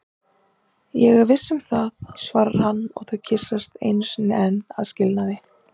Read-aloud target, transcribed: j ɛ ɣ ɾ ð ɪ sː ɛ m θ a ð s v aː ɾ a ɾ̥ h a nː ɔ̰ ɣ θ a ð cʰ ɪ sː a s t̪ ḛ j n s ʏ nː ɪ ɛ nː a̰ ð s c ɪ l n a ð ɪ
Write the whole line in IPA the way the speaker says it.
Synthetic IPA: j ɛ ɣ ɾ v ɪ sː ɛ m θ a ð s v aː ɾ a ɾ̥ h a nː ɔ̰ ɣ θ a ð cʰ ɪ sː a s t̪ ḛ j n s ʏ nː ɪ ɛ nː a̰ ð s c ɪ l n a ð ɪ